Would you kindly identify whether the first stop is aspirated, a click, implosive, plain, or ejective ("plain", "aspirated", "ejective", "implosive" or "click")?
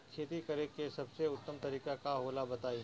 aspirated